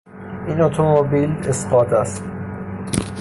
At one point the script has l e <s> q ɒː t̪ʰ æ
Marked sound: correct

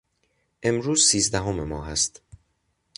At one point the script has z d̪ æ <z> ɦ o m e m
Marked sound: incorrect: none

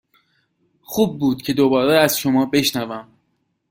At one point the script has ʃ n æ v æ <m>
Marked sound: correct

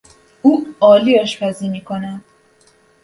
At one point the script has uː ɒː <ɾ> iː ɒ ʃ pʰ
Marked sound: incorrect: l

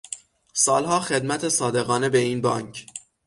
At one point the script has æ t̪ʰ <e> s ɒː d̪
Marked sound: correct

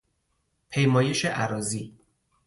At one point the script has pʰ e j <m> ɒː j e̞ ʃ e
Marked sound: correct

